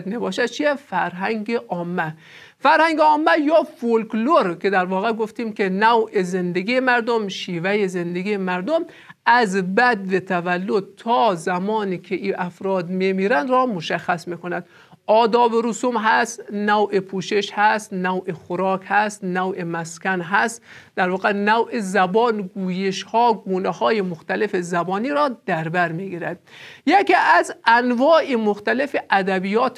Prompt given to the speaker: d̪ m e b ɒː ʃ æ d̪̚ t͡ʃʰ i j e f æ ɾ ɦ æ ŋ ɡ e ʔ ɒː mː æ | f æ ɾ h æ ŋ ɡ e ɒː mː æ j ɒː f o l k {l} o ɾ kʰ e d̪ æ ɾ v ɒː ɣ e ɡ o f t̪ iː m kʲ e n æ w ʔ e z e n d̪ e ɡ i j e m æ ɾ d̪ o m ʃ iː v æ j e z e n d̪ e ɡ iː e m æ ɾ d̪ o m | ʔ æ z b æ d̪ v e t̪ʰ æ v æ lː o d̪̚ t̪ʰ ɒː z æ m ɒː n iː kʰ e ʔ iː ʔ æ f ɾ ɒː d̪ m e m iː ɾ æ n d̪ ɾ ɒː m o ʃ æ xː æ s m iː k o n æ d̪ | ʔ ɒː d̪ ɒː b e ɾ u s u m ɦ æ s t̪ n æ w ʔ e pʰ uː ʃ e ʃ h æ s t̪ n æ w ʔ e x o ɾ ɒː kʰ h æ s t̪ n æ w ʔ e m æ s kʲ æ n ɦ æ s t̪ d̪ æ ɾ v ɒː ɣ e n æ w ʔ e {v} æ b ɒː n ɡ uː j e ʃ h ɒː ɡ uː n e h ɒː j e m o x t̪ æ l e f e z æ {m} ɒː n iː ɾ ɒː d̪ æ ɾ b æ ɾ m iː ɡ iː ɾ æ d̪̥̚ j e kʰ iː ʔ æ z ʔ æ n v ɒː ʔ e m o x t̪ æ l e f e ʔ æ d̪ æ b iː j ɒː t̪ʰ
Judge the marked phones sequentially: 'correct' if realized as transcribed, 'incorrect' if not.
correct, incorrect: z, incorrect: b

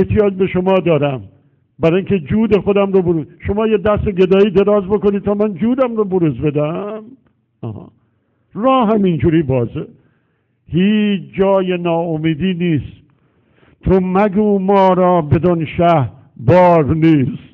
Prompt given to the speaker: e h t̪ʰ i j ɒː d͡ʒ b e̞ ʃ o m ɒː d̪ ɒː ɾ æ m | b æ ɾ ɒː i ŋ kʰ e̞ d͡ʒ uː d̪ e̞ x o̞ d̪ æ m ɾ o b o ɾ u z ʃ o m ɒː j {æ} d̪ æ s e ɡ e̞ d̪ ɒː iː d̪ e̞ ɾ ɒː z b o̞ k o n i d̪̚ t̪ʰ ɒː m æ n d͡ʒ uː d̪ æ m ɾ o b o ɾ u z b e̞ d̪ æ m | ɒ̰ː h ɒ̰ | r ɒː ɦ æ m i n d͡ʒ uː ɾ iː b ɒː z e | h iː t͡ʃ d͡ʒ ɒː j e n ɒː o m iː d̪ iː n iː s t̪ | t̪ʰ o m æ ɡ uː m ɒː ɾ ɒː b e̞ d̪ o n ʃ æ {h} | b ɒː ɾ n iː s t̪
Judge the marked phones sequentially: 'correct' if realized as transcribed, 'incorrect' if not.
incorrect: e, correct

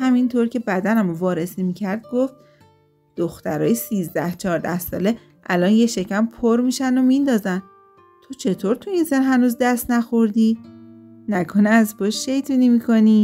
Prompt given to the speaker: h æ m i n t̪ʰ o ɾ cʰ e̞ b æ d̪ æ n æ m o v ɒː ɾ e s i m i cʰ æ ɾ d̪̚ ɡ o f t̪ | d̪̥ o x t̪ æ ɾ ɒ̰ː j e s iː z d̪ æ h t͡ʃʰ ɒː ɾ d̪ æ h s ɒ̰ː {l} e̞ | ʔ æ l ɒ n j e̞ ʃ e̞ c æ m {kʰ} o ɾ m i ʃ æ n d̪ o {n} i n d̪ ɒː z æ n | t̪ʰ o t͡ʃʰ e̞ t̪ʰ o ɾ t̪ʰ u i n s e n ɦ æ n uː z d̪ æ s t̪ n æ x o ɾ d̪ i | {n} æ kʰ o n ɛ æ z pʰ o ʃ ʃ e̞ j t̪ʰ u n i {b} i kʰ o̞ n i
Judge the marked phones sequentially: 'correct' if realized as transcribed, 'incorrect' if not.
correct, incorrect: pʰ, incorrect: m, correct, incorrect: m

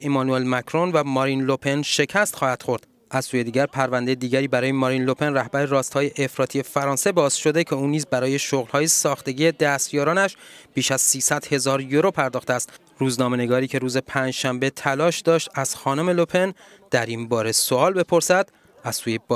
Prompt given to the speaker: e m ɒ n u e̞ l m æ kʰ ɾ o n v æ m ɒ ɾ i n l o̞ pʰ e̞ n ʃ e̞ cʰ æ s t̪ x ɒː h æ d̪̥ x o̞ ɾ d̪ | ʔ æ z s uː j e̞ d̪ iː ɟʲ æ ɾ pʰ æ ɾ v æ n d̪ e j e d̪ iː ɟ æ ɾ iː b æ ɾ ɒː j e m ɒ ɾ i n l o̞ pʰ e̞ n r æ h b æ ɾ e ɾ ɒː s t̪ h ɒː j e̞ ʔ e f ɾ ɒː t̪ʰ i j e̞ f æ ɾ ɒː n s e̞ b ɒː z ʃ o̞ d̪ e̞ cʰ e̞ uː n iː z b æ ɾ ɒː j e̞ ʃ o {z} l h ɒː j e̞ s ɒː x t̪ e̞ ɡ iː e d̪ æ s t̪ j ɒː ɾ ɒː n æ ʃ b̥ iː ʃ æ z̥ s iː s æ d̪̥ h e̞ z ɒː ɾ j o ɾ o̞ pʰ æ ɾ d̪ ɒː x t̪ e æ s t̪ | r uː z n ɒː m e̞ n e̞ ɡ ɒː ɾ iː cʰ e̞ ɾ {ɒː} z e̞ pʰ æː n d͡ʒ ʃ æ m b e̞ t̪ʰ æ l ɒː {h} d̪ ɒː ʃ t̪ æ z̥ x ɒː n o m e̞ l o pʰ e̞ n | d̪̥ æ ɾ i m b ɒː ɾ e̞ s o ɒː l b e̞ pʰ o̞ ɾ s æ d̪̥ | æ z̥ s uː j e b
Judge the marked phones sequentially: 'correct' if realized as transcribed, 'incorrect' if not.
incorrect: ɣ, incorrect: uː, incorrect: ʃ

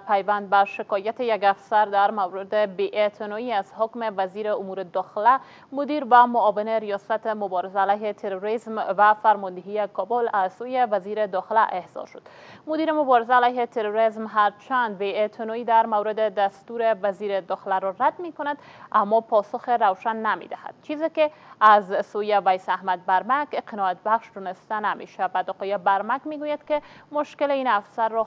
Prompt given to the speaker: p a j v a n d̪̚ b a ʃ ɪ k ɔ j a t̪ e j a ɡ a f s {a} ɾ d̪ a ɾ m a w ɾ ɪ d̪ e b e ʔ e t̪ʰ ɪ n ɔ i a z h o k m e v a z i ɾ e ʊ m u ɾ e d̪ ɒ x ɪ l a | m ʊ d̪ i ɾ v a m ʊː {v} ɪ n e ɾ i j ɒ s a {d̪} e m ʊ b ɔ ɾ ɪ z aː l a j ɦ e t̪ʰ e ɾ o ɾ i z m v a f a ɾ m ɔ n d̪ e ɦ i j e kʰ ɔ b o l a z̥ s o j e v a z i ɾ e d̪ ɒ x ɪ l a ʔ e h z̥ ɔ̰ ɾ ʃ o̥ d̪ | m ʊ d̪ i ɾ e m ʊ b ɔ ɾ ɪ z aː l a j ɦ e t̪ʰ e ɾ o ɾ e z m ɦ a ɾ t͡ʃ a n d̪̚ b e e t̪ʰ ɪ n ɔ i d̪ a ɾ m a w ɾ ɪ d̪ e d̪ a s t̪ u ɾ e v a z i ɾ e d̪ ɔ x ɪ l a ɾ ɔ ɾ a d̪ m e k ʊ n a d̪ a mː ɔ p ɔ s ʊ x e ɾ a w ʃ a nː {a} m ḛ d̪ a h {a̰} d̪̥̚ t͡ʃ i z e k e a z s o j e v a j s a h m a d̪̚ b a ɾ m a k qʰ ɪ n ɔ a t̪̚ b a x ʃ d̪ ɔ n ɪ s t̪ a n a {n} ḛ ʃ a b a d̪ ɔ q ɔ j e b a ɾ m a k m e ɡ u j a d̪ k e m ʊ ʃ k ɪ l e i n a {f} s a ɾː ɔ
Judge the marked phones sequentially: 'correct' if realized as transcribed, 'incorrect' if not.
correct, correct, incorrect: t̪, correct, correct, incorrect: m, correct

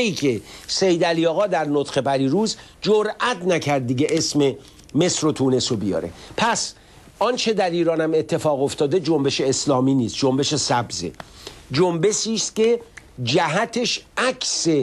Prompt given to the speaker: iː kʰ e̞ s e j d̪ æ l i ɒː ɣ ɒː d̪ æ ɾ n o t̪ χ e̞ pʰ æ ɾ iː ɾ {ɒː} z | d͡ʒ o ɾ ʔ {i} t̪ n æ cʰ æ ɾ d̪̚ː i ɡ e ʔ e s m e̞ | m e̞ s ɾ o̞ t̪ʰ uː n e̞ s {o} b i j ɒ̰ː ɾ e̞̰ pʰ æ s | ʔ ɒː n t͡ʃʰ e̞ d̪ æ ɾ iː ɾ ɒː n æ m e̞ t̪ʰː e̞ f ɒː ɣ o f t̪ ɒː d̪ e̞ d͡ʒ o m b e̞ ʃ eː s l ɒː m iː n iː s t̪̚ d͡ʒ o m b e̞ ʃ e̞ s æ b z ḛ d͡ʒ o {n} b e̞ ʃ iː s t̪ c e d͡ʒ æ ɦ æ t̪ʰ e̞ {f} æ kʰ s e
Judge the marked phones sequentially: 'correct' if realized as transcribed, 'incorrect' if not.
incorrect: uː, incorrect: æ, correct, incorrect: m, incorrect: ʃ

